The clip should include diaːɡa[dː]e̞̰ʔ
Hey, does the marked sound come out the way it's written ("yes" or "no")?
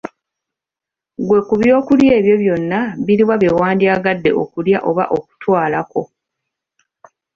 yes